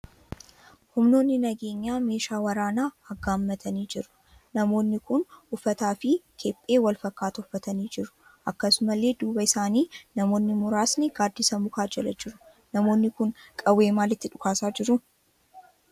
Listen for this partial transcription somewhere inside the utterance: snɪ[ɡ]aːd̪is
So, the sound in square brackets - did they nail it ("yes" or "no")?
yes